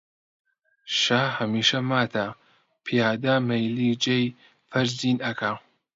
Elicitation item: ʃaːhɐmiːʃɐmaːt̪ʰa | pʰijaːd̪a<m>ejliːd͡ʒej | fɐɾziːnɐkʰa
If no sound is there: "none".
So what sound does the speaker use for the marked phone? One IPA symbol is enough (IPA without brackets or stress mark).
m